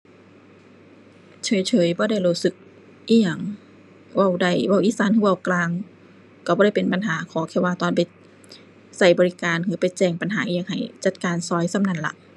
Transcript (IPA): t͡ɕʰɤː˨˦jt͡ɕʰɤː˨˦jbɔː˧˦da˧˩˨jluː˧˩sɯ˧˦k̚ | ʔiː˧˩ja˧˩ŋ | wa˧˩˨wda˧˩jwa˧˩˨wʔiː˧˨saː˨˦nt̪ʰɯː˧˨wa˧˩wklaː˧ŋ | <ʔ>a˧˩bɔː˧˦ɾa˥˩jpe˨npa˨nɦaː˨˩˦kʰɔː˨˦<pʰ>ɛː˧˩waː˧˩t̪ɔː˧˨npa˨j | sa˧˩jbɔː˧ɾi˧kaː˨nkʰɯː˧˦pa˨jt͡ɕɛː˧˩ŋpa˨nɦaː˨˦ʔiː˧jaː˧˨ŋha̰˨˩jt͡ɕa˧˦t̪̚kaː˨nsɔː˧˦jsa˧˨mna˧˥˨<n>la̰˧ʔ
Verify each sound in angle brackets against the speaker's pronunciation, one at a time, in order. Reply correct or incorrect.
incorrect: k, incorrect: kʰ, correct

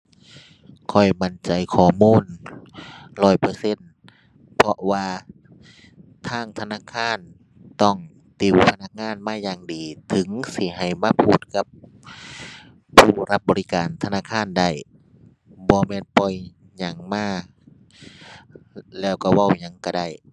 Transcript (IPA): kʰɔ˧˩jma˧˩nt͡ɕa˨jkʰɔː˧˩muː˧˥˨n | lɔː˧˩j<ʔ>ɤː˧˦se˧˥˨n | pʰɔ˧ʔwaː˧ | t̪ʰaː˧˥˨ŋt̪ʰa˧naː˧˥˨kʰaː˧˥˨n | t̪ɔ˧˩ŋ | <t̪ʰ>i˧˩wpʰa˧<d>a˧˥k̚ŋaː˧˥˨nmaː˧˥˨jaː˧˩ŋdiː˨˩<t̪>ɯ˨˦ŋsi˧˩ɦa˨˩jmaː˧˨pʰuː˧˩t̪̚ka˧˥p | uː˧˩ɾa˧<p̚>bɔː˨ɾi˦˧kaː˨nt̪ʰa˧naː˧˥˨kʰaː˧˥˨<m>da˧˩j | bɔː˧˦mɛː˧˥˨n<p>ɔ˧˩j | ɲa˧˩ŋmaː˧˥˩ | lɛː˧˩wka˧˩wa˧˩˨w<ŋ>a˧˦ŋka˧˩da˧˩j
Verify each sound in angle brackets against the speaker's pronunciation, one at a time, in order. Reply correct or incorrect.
incorrect: p, incorrect: t̪, incorrect: n, incorrect: t̪ʰ, correct, incorrect: n, correct, incorrect: ɲ

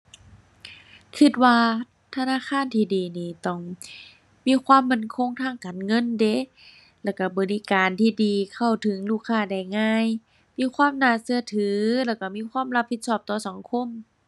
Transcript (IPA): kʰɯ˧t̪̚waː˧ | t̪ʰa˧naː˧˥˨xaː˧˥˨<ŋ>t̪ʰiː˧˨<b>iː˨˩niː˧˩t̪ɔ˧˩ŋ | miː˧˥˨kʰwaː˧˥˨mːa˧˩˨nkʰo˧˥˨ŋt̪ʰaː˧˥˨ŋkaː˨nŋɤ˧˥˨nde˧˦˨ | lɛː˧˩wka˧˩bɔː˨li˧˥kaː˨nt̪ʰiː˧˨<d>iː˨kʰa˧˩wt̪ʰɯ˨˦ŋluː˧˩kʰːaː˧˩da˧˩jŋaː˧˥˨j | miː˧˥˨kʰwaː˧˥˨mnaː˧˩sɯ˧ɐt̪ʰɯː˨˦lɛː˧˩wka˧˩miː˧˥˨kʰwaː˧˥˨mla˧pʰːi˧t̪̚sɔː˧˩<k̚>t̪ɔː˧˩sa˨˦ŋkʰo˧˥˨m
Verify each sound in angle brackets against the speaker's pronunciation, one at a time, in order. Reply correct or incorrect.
incorrect: n, incorrect: d, correct, incorrect: p̚

